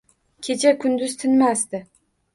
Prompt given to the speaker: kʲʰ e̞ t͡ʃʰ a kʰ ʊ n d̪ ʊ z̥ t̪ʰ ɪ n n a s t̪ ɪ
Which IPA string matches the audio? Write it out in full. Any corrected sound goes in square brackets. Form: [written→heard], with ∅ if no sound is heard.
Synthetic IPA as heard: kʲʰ e̞ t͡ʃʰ a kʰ ʊ n d̪ ʊ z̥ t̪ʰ ɪ n [n→m] a s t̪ ɪ